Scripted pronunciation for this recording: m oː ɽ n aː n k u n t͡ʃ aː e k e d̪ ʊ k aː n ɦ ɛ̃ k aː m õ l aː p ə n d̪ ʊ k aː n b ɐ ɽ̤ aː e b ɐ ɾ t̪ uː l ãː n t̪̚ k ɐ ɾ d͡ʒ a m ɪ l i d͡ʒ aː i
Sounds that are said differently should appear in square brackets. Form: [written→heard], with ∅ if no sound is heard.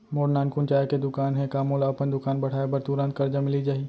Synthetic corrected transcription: m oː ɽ n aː n k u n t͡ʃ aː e k e d̪ ʊ k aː n ɦ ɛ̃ k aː m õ l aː p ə n d̪ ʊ k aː n b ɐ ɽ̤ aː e b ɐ ɾ t̪ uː [l→ɾ] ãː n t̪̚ k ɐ ɾ d͡ʒ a m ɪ l i d͡ʒ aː i